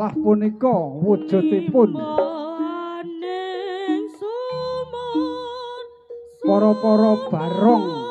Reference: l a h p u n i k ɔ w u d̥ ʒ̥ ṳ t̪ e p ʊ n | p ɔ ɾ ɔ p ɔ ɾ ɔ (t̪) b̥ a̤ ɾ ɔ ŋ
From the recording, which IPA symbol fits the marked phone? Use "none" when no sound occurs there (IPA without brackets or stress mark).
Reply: none